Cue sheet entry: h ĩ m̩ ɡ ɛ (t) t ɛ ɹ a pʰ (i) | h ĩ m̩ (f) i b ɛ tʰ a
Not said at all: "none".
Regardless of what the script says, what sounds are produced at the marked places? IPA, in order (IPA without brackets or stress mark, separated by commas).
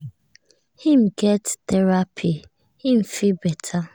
t, i, f